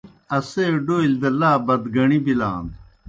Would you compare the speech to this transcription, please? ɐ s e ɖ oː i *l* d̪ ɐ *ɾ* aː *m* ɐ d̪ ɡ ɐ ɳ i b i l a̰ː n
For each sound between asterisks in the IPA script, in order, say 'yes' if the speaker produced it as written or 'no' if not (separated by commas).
yes, no, no